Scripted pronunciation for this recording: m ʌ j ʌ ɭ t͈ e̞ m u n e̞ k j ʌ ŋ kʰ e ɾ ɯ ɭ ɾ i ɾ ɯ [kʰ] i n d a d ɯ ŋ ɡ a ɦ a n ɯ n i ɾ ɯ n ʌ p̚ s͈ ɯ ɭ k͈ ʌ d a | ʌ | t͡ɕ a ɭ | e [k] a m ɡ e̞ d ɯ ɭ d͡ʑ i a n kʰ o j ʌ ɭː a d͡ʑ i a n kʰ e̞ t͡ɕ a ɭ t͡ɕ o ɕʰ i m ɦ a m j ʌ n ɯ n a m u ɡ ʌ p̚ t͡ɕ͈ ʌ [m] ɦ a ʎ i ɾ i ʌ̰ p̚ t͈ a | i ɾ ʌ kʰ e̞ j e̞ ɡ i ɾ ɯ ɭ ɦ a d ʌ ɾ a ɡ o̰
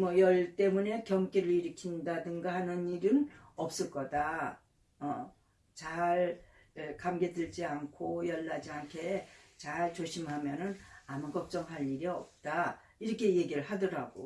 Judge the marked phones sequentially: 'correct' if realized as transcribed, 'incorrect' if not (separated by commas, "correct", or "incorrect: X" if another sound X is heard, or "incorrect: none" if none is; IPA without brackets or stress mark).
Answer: correct, correct, incorrect: ŋ